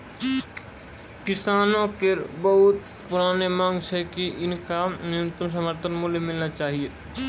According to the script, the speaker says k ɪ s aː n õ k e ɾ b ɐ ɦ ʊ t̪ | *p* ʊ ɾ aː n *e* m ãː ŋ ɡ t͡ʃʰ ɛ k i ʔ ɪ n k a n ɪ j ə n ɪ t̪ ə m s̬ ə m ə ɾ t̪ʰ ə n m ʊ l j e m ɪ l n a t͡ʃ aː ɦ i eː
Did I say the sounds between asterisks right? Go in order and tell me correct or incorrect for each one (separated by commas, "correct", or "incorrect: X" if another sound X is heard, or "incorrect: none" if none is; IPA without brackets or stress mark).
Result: correct, correct